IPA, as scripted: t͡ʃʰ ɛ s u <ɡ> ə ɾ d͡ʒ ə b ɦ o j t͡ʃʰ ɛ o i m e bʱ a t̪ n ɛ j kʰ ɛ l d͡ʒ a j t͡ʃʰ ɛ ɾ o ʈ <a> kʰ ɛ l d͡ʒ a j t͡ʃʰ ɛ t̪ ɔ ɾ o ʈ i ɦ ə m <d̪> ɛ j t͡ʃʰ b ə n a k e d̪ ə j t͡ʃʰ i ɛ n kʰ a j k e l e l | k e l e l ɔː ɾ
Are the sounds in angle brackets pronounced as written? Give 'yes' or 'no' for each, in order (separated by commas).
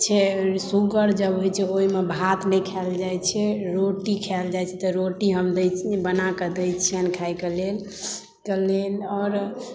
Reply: yes, no, yes